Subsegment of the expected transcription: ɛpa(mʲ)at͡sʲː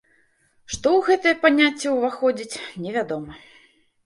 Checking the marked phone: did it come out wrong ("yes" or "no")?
yes